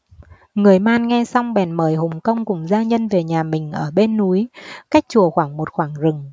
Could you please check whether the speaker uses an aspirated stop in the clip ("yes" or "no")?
no